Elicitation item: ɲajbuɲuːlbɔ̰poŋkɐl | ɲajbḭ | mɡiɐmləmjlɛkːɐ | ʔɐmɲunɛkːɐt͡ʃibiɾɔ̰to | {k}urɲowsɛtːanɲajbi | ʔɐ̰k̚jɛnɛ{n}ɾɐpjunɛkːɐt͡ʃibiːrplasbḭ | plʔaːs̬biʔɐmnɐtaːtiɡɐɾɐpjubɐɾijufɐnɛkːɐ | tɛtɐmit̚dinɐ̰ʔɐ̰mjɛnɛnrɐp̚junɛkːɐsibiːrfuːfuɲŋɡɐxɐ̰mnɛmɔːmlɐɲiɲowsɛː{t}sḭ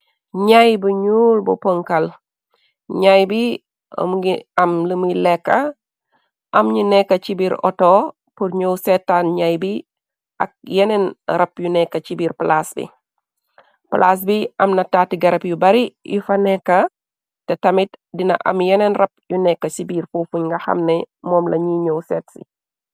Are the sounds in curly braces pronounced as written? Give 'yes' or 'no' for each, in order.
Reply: no, yes, yes

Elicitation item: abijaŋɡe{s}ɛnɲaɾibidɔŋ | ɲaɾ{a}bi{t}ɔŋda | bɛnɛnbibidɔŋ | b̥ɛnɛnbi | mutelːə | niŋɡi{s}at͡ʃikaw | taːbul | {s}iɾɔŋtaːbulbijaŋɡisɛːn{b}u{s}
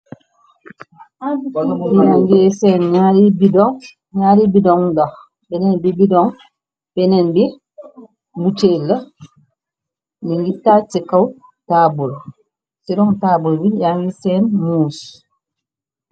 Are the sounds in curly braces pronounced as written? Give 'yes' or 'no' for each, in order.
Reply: yes, no, no, no, yes, no, yes

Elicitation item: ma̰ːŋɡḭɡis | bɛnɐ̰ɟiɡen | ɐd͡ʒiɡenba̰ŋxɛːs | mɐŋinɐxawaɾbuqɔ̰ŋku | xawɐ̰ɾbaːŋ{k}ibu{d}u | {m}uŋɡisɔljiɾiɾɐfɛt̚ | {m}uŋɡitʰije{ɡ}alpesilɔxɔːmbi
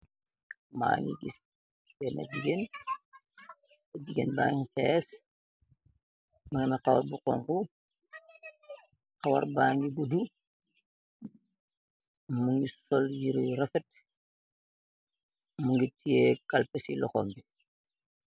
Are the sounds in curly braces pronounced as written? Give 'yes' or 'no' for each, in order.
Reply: no, yes, yes, yes, no

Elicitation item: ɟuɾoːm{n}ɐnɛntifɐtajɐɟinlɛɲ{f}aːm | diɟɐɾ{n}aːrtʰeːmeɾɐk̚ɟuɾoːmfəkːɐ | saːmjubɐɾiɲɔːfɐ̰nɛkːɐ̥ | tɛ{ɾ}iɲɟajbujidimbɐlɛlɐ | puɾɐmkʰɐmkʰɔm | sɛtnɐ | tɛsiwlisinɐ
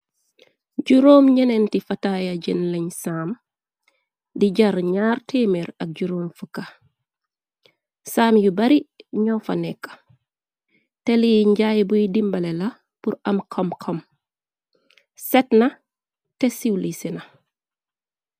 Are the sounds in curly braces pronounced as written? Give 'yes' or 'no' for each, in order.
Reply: no, no, no, no

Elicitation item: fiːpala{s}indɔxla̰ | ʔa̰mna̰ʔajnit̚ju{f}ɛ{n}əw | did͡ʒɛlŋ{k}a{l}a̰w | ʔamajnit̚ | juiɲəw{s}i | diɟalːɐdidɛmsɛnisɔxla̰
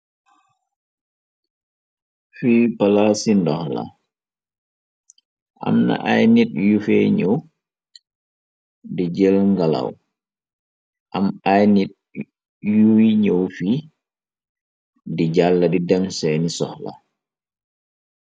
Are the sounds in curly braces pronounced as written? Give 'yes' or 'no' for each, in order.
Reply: yes, yes, no, no, yes, no

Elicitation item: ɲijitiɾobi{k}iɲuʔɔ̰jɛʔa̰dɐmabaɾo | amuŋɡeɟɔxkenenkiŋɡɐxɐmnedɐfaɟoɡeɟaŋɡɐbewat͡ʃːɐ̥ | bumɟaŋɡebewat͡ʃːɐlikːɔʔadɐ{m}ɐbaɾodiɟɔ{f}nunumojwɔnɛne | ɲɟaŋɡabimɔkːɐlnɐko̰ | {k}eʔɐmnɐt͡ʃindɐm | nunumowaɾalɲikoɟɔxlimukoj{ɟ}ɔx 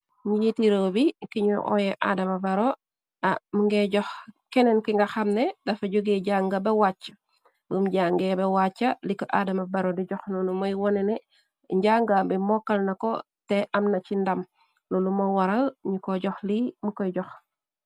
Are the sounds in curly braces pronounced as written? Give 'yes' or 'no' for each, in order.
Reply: yes, yes, no, no, yes

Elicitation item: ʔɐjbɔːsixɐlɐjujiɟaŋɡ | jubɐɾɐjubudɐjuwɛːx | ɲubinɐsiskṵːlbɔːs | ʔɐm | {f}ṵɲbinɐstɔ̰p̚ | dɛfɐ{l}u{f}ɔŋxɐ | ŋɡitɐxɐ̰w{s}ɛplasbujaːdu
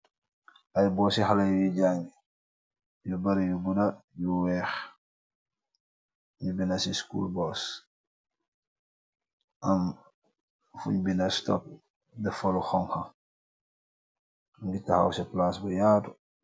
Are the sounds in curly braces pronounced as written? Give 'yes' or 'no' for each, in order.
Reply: yes, yes, no, yes

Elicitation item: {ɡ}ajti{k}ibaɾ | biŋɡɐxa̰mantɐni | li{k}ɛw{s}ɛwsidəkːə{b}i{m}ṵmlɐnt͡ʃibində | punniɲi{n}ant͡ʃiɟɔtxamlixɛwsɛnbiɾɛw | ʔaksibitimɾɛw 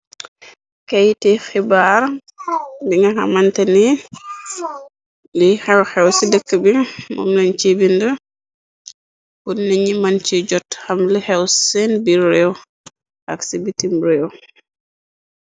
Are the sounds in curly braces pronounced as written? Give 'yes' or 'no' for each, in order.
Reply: no, no, no, no, yes, yes, no

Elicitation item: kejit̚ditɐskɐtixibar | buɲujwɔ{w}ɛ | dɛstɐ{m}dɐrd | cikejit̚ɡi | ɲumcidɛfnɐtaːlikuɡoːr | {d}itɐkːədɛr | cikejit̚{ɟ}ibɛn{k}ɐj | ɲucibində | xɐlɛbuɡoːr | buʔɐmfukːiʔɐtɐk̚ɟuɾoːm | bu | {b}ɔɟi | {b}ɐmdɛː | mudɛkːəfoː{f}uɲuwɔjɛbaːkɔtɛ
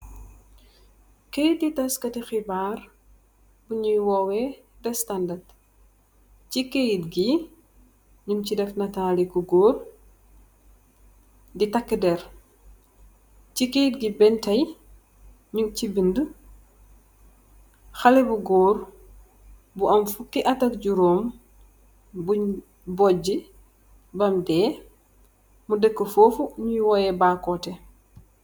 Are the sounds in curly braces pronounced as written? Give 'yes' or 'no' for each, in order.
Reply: yes, no, yes, no, no, yes, yes, yes

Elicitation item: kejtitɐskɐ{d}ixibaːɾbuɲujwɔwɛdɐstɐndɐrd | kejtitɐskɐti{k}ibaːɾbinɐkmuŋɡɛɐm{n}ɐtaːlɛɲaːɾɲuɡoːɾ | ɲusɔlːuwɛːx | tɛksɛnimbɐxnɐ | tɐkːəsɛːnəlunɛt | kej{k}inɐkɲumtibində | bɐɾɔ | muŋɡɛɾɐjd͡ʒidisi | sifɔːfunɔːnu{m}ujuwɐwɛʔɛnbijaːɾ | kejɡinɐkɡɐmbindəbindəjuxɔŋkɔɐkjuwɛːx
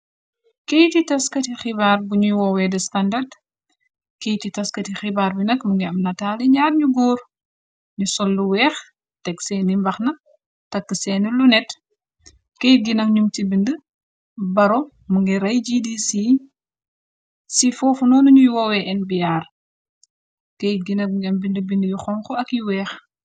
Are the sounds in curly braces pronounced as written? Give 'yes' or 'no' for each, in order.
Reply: no, no, yes, no, no

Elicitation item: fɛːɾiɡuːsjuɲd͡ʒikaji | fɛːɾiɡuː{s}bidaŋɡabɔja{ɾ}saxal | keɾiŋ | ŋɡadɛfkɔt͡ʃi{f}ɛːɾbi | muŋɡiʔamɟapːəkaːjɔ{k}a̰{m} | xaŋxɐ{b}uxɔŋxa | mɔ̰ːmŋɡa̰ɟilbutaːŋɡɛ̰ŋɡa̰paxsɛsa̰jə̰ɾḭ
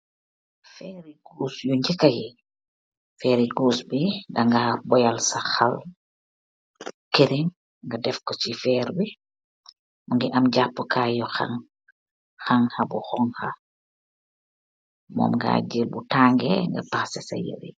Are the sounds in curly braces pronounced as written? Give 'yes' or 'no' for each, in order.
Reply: yes, no, yes, no, no, yes

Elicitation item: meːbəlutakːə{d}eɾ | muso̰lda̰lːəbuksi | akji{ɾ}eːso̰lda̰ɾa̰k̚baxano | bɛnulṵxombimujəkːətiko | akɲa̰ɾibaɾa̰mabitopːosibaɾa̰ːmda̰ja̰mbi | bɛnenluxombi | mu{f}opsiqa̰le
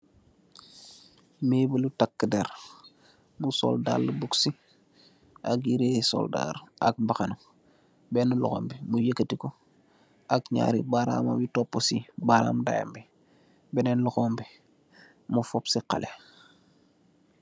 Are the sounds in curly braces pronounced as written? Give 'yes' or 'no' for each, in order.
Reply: yes, yes, yes

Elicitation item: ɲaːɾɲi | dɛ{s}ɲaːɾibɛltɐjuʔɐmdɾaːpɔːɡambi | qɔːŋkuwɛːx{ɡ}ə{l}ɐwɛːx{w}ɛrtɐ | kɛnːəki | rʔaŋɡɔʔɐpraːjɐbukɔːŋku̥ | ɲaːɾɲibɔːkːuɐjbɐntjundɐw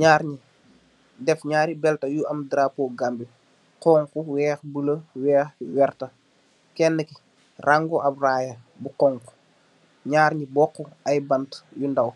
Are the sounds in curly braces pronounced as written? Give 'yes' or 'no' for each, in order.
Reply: no, no, yes, yes

